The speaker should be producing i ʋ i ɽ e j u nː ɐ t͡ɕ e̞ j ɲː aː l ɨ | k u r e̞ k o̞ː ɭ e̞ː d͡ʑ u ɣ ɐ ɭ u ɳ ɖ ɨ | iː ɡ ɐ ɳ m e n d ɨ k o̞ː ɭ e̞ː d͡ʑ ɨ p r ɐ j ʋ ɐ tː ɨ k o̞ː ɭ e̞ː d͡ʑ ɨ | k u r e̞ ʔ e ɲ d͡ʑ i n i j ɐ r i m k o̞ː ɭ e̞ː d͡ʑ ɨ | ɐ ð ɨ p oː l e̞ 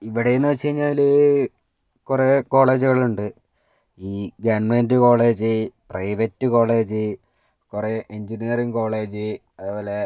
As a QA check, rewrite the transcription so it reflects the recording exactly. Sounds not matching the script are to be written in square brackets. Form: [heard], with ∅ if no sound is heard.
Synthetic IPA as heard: i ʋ i ɽ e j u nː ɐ t͡ɕ e̞ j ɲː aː l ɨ | k u r e̞ k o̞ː ɭ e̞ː d͡ʑ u ɣ ɐ ɭ u ɳ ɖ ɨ | iː ɡ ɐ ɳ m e n d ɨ k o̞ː ɭ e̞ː d͡ʑ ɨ p r ɐ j ʋ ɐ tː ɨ k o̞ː ɭ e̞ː d͡ʑ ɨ | k u r e̞ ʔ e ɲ d͡ʑ i n i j ɐ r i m k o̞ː ɭ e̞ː d͡ʑ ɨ | ɐ ð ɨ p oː l e̞